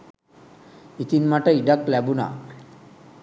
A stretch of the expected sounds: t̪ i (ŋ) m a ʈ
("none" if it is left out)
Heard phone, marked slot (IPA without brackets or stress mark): n